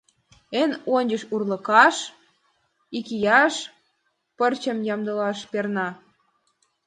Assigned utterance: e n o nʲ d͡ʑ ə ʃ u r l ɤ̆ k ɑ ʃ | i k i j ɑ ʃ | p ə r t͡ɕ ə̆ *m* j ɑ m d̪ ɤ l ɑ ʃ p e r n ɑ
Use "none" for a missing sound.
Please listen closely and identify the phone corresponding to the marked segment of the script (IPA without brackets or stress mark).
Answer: m